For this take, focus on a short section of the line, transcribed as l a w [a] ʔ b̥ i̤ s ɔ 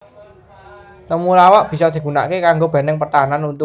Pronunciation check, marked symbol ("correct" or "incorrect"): correct